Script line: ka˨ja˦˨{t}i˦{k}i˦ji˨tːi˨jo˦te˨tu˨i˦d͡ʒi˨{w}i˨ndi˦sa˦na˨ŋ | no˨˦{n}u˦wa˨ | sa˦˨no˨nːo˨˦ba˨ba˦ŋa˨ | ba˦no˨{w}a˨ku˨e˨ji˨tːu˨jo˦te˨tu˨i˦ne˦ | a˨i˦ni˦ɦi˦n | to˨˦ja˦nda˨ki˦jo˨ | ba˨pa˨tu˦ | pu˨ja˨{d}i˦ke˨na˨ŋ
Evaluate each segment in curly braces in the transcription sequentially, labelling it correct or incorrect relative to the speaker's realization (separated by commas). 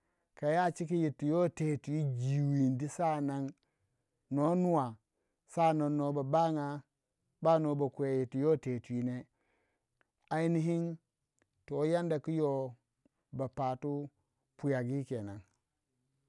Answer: incorrect, correct, correct, correct, incorrect, incorrect